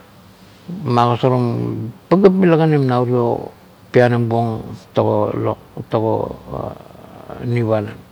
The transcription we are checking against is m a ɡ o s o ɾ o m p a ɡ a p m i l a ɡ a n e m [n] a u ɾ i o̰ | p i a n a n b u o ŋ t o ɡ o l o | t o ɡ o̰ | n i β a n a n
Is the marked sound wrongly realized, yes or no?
no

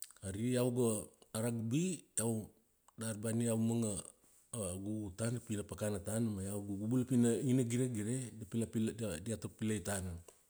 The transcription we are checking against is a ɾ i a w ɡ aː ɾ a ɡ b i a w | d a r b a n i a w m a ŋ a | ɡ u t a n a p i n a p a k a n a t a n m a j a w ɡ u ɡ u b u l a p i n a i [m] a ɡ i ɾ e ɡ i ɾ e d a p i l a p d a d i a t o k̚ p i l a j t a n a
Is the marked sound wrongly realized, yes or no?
yes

